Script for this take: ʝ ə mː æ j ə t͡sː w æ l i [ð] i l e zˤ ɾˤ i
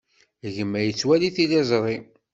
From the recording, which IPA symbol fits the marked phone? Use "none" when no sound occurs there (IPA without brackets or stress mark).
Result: θ